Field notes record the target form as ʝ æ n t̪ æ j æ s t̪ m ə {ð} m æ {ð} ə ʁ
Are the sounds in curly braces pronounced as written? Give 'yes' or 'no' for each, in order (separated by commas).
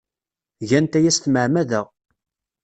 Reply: no, yes